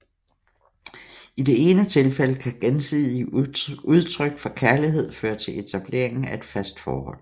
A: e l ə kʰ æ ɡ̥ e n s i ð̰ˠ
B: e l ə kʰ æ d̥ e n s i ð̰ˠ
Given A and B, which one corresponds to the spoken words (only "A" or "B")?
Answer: A